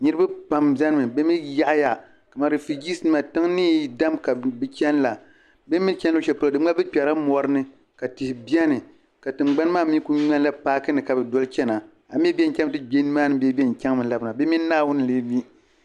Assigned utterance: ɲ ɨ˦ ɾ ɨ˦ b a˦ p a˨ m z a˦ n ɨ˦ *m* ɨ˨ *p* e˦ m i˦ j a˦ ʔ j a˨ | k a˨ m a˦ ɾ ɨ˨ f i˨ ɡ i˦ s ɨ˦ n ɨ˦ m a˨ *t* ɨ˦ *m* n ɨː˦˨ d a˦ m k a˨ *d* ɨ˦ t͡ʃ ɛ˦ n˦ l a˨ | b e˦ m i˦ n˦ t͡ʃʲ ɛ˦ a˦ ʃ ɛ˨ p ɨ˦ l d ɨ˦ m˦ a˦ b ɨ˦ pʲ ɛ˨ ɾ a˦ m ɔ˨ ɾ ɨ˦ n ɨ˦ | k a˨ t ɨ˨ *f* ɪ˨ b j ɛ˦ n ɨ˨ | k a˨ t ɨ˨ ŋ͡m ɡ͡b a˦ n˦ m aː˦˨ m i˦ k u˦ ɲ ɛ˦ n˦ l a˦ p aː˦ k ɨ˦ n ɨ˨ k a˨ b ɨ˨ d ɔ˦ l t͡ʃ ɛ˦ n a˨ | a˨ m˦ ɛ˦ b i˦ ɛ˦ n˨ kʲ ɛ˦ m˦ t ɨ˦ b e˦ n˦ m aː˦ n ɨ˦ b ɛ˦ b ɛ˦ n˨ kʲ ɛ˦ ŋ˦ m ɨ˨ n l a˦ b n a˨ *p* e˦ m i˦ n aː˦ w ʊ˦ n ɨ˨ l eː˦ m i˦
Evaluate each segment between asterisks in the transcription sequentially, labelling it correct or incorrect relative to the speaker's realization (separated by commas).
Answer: correct, incorrect, correct, incorrect, incorrect, incorrect, incorrect